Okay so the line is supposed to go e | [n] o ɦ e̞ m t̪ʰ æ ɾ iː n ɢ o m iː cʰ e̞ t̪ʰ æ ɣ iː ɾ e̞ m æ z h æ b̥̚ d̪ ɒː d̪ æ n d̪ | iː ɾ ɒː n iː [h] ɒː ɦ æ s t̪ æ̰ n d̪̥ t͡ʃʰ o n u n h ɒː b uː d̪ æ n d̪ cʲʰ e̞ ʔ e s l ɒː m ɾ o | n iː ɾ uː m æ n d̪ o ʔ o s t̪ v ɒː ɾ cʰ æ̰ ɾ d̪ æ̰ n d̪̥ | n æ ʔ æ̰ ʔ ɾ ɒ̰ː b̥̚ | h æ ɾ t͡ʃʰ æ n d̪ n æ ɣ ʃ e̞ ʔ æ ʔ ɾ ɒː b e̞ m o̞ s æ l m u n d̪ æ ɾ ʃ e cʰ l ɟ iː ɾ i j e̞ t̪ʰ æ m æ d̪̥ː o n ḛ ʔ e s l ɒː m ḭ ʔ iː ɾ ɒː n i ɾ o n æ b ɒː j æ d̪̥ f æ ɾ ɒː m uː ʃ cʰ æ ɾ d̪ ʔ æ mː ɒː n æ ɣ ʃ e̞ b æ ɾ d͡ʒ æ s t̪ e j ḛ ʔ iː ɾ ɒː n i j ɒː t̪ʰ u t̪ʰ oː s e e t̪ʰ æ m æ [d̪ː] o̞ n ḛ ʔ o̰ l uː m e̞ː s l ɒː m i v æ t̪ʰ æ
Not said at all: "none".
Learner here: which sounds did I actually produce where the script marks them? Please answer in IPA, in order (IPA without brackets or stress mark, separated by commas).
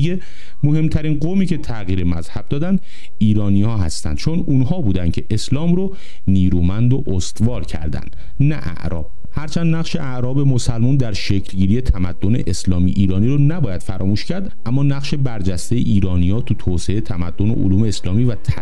m, h, d̪ː